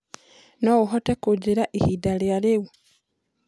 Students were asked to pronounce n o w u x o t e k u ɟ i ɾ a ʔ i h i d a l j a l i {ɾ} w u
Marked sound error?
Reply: yes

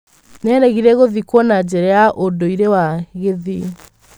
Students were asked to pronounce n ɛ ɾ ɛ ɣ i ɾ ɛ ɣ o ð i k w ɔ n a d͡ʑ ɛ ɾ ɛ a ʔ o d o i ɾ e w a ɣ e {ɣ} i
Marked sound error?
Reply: yes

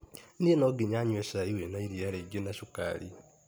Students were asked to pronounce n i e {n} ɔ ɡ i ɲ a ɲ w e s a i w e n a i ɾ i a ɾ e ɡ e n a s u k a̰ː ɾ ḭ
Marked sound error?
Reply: no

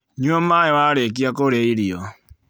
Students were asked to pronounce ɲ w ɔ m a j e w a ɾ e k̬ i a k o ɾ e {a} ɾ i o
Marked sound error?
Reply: yes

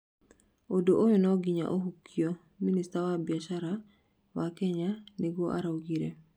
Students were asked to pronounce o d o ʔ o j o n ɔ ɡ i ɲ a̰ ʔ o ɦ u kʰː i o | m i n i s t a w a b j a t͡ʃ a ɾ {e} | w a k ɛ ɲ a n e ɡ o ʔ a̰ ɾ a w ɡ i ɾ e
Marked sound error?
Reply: yes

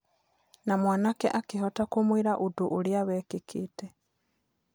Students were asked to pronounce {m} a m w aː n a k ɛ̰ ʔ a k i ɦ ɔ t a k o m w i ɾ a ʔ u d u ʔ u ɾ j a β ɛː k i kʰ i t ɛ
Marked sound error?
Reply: yes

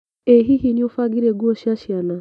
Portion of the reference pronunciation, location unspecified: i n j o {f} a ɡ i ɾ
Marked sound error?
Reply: no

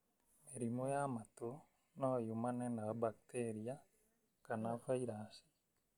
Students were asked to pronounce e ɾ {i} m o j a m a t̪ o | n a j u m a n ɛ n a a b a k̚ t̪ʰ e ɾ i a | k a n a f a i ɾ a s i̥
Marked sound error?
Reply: no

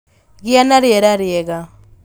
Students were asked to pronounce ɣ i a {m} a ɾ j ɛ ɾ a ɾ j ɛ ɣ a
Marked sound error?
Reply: yes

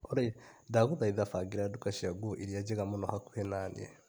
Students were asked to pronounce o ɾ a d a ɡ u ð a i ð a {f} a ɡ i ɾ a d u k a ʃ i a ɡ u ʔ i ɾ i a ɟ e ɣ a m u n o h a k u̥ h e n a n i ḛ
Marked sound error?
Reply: no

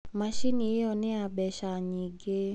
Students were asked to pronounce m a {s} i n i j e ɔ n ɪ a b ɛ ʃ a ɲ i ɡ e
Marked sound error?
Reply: yes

